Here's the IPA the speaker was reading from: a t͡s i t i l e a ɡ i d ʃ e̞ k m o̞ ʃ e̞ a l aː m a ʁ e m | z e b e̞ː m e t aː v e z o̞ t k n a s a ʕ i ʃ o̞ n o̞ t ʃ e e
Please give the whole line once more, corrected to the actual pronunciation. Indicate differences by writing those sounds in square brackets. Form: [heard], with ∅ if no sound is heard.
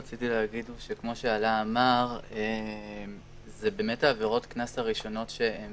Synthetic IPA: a t͡s i t i l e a ɡ i d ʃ e̞ k m o̞ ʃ e̞ a l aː m a ʁ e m | z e b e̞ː m e t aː v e [ʁ] o̞ t k n a s a [ʁ] i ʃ o̞ n o̞ t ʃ e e